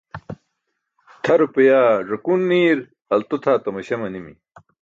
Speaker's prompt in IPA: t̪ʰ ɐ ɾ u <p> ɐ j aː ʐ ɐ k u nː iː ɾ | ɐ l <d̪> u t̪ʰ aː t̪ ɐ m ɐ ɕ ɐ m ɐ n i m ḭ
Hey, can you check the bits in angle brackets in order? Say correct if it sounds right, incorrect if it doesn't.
correct, incorrect: t̪

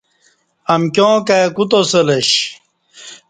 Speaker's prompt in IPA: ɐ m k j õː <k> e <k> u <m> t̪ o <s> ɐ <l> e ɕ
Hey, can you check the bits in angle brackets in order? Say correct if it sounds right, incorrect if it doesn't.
correct, correct, incorrect: none, correct, correct

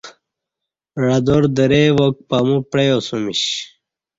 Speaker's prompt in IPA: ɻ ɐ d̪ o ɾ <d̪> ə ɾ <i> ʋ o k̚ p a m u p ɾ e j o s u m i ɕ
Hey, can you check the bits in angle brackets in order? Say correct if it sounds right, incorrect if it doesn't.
correct, incorrect: e

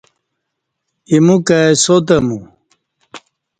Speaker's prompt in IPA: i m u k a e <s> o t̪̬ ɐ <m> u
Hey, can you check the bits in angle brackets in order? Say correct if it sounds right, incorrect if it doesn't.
correct, correct

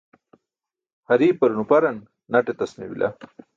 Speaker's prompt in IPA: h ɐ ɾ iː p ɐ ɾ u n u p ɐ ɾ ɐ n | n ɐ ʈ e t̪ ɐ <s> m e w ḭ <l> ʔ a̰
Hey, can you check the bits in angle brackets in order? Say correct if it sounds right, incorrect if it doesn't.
correct, correct

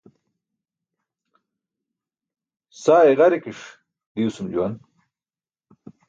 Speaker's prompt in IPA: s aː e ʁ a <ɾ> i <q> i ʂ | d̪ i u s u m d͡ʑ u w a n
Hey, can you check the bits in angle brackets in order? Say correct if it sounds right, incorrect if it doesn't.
correct, incorrect: k

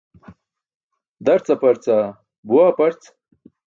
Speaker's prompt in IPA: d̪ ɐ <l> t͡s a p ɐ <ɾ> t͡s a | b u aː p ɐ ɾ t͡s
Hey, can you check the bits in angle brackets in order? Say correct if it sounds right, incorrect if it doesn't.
incorrect: ɾ, correct

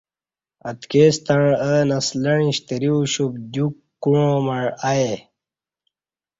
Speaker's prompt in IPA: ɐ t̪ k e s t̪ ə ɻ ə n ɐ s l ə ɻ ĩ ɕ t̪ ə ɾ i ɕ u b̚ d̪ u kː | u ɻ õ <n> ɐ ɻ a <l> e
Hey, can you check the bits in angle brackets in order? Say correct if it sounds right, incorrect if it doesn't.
incorrect: m, incorrect: none

